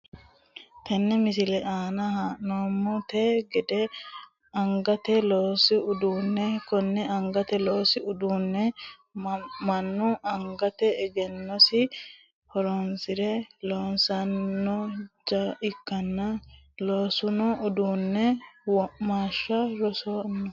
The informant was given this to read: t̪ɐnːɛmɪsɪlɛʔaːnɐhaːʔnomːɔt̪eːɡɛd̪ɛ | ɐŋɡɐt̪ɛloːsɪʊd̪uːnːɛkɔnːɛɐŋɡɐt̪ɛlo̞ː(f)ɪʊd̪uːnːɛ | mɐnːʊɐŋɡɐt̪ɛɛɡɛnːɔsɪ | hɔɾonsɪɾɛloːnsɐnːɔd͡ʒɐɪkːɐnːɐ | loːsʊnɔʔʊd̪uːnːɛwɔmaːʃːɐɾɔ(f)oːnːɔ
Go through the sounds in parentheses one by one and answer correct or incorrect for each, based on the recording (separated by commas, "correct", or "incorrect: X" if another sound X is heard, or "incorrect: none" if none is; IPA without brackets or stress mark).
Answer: incorrect: s, incorrect: s